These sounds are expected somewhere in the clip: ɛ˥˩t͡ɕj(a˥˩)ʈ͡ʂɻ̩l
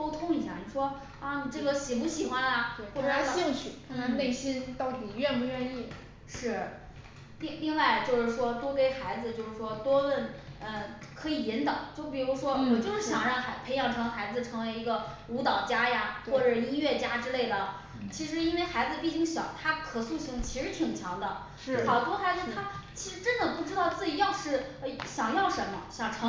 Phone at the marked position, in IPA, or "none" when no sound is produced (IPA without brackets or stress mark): a˥